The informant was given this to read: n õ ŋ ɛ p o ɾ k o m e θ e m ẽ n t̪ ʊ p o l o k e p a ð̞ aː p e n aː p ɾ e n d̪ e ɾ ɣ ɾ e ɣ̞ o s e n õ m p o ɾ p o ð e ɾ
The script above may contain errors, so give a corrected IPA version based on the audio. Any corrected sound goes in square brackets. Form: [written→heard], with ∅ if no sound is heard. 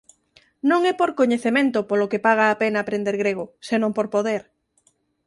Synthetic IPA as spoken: n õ ŋ ɛ p o ɾ k o [m→ɲ] e θ e m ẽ n t̪ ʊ p o l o k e p a [ð̞→ɣ̞] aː p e n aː p ɾ e n d̪ e ɾ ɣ ɾ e ɣ̞ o s e n õ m p o ɾ p o ð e ɾ